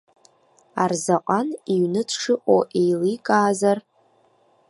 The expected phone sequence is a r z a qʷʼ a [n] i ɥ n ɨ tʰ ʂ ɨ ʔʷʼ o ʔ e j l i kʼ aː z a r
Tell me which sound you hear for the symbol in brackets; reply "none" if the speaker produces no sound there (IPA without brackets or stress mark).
n